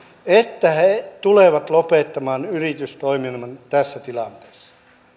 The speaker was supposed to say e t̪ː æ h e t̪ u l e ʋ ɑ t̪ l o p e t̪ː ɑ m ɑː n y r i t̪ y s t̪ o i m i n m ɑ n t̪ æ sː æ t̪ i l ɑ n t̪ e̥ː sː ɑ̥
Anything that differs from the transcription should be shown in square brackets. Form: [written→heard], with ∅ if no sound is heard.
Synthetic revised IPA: e t̪ː æ h e t̪ u l e ʋ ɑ t̪ l o p e t̪ː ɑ m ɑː n y r i t̪ y s t̪ o i m i n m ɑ n t̪ æ sː æ t̪ i l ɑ n t̪ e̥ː sː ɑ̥